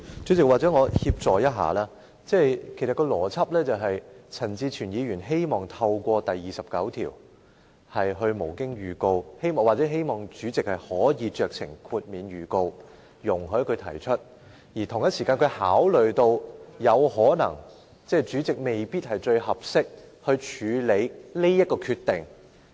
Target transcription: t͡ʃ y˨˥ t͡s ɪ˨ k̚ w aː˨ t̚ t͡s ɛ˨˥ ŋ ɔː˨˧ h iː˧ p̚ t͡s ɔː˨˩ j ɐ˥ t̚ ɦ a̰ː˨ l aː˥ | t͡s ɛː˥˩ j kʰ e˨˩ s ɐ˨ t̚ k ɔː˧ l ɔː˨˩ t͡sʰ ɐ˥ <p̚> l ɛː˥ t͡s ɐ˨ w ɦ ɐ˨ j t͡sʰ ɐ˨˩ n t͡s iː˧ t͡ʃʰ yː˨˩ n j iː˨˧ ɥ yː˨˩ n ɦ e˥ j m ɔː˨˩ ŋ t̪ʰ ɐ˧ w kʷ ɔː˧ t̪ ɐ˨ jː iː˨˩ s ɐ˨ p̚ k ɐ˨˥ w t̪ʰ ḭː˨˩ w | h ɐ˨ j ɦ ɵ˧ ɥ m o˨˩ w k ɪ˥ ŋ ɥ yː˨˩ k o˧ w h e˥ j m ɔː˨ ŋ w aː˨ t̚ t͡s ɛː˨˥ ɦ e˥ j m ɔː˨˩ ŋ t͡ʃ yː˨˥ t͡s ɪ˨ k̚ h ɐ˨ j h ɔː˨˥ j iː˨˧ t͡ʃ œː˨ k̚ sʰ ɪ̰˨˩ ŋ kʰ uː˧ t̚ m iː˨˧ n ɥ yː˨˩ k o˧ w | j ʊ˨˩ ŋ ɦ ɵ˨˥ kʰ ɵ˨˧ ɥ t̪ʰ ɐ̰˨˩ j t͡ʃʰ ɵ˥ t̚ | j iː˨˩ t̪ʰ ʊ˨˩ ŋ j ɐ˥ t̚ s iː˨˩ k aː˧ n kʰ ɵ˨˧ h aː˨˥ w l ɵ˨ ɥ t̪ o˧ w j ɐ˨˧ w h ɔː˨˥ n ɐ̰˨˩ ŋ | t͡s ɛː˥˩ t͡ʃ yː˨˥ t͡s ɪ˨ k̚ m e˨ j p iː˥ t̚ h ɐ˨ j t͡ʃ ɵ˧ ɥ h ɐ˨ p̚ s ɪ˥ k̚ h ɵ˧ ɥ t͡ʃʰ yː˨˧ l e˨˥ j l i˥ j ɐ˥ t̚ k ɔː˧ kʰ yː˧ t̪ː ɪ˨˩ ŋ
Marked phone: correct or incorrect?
correct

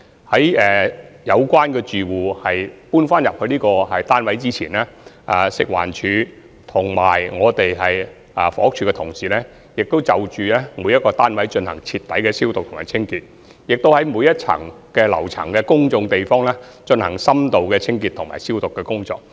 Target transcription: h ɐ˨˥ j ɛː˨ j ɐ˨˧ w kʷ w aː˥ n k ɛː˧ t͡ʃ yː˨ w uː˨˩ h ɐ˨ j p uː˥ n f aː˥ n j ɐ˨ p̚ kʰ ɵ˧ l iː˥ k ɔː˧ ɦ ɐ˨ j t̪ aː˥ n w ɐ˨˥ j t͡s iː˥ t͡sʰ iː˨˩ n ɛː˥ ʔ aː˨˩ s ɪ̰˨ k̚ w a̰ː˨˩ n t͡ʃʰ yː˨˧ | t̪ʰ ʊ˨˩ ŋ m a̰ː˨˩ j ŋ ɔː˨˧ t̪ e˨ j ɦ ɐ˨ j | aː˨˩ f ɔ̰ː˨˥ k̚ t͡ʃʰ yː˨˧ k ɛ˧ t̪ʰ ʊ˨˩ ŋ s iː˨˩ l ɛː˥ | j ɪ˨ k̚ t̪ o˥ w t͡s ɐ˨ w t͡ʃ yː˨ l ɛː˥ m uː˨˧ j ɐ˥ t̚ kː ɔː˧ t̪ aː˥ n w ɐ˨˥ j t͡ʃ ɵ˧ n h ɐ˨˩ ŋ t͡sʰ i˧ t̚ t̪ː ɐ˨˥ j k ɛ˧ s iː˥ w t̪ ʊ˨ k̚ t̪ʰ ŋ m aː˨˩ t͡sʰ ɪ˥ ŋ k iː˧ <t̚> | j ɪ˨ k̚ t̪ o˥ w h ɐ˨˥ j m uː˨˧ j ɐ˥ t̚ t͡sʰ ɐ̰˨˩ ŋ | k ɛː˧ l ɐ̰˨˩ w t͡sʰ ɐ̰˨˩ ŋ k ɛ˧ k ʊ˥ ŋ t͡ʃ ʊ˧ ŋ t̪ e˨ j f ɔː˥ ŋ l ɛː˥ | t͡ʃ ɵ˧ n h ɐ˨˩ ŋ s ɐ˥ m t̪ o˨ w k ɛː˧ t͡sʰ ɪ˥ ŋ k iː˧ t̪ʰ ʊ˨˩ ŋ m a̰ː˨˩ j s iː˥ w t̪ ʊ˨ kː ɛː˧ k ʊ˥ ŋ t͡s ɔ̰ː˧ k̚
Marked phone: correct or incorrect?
correct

